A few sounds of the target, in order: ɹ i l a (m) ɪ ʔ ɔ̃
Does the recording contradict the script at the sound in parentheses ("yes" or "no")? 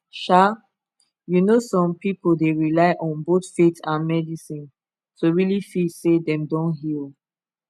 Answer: yes